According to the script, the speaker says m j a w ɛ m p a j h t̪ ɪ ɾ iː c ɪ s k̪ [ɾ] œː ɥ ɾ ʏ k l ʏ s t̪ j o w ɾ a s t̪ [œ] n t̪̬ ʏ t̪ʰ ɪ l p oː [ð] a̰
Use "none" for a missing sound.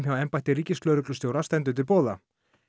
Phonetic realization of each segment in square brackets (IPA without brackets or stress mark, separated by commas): l, ɛ, ð